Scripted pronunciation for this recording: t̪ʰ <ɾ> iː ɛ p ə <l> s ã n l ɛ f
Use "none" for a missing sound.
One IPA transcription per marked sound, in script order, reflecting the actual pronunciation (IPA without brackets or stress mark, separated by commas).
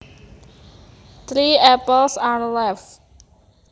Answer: ɾ, l